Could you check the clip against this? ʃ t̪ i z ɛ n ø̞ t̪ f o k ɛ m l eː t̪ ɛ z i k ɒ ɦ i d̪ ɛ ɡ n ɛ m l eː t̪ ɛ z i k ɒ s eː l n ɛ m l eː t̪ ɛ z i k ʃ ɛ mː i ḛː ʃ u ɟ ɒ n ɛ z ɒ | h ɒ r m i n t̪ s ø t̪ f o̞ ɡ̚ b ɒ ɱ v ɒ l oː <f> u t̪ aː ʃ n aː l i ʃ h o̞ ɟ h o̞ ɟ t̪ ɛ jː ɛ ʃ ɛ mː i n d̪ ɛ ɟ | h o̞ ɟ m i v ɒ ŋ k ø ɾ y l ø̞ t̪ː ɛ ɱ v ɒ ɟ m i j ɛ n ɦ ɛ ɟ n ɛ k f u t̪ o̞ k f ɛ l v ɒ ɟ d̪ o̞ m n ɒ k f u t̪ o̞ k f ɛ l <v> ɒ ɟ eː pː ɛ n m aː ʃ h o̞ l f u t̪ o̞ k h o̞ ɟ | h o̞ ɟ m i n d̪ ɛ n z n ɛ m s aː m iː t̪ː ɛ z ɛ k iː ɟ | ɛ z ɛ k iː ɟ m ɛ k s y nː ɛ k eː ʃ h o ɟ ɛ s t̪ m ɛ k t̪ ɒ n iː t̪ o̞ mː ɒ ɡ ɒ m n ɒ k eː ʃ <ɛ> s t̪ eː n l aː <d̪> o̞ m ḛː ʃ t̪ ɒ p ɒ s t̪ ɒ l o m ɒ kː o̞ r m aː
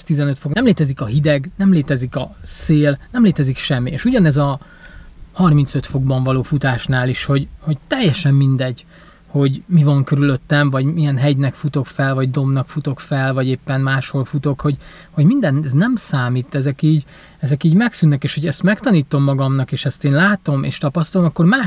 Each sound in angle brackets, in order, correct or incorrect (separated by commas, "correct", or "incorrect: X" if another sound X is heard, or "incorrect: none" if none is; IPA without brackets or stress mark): correct, correct, correct, incorrect: t̪